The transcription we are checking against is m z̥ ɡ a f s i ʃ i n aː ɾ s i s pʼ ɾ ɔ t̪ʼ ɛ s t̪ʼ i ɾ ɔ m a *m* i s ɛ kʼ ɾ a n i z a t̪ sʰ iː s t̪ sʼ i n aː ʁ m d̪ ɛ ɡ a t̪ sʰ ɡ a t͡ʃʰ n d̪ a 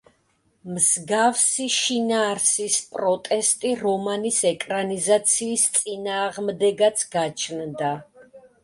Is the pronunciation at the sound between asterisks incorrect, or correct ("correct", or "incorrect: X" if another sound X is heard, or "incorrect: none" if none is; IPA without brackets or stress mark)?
incorrect: n